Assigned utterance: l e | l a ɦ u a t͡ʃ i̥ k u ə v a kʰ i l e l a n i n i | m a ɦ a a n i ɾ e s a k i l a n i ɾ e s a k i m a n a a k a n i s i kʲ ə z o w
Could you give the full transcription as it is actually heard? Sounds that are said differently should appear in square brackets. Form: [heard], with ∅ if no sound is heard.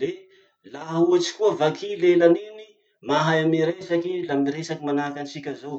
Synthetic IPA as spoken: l e | l a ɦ u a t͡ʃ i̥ k u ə v a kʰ i l e l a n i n i | m a ɦ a a [m] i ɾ e s a k i l a [m] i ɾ e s a k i m a n a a k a n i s i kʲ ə z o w